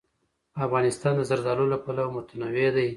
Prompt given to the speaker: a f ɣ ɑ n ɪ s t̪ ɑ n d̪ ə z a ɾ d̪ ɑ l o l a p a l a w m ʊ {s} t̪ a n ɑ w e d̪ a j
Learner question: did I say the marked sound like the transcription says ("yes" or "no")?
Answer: no